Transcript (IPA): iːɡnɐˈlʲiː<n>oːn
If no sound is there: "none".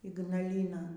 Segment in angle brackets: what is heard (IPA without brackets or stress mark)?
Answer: n